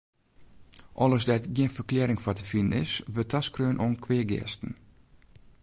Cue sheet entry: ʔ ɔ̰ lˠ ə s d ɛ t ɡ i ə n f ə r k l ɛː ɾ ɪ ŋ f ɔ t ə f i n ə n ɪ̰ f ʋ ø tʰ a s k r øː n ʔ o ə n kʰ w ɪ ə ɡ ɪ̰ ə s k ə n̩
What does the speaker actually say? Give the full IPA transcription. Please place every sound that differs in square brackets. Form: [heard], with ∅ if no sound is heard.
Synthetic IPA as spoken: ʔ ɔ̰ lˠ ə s d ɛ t ɡ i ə n f ə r k l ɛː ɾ ɪ ŋ f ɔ t ə f i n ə n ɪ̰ [s] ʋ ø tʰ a s k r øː n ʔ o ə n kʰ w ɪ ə ɡ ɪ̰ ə s [t] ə n̩